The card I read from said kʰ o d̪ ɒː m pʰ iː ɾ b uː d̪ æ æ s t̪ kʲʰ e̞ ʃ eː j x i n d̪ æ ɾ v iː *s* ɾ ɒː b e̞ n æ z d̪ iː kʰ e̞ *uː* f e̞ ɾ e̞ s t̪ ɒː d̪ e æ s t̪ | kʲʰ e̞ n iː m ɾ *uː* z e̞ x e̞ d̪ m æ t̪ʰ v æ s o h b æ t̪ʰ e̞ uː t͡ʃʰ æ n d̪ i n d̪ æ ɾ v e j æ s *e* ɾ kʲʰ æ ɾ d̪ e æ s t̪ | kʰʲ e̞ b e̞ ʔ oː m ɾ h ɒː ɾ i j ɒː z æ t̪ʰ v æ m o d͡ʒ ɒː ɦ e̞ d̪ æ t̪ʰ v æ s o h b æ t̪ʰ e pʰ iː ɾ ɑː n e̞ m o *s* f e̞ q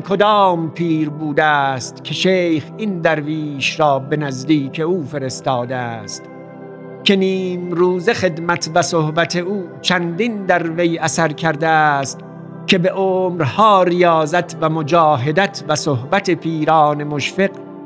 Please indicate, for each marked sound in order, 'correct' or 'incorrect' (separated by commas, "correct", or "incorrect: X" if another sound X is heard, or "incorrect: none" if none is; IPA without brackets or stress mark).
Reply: incorrect: ʃ, correct, correct, incorrect: æ, incorrect: ʃ